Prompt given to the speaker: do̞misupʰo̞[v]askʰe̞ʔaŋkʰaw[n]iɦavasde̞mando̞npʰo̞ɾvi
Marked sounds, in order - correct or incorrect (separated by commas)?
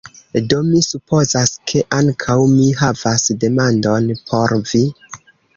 incorrect, incorrect